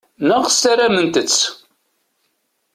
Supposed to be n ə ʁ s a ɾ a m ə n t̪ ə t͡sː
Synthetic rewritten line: n ə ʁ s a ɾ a m ə n t̪ ə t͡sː